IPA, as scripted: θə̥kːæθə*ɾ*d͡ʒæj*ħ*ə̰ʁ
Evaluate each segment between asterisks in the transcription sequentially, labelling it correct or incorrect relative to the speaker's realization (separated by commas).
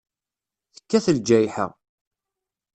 incorrect, correct